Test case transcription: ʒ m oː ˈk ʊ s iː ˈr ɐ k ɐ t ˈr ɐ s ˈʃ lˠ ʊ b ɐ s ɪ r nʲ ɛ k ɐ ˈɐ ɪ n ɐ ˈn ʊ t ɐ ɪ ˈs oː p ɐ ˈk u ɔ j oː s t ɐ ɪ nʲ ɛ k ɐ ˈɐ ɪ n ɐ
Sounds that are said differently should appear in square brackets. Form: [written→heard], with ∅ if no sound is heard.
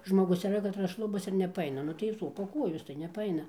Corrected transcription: ʒ m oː [ˈk→ˈɡ] ʊ s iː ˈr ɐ k ɐ t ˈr ɐ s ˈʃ lˠ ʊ b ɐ s ɪ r nʲ ɛ [k→p] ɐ ˈɐ ɪ n ɐ ˈn ʊ t ɐ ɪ ˈs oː p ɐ ˈk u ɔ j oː s t ɐ ɪ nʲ ɛ [k→p] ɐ ˈɐ ɪ n ɐ